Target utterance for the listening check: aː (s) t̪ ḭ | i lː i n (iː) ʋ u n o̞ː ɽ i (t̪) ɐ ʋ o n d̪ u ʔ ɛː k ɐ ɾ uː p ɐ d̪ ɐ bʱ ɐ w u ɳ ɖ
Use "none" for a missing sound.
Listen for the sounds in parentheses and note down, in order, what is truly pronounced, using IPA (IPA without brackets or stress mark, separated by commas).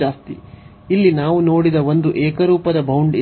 s, aː, d̪